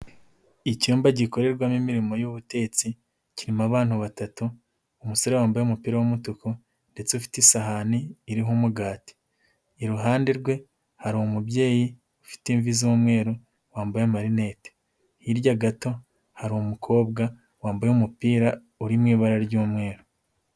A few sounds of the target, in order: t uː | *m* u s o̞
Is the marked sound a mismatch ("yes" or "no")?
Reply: no